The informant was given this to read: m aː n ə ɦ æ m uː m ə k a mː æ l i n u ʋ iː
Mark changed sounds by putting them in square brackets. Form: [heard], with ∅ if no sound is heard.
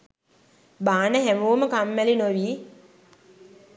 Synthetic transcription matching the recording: [b] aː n ə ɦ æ m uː m ə k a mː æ l i n [o] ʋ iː